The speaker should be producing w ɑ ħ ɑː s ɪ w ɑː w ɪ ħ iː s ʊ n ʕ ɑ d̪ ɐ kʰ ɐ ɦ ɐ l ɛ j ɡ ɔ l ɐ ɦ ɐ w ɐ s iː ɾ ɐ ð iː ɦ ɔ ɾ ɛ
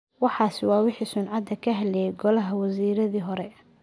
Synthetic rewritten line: w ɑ ħ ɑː s ɪ w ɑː w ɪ ħ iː s ʊ n ʕ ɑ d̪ ɐ kʰ ɐ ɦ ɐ l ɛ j ɡ ɔ l ɐ ɦ ɐ w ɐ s iː ɾ ɐ ð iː ɦ ɔ ɾ ɛ